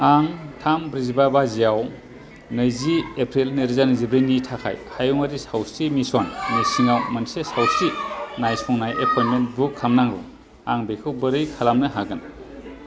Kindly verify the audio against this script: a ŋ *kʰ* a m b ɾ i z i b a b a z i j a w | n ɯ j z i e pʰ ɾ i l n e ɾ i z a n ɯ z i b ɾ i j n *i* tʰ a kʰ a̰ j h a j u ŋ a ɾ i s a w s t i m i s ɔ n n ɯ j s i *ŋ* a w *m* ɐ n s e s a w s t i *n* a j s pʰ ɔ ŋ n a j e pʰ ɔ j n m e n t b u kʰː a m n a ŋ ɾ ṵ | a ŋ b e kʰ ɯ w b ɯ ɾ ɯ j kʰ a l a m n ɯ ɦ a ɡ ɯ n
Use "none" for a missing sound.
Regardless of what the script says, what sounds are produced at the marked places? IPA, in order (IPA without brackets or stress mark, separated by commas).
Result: tʰ, i, ŋ, m, n